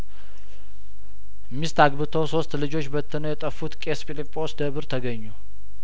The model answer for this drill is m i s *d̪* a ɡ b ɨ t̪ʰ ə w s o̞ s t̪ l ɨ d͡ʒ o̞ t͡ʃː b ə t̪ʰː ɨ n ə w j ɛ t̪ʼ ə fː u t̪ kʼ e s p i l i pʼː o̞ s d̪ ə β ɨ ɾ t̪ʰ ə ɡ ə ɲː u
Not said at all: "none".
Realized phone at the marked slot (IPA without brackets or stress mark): t̪